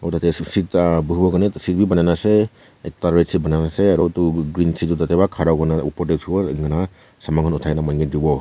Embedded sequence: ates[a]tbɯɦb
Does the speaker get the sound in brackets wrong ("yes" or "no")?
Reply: yes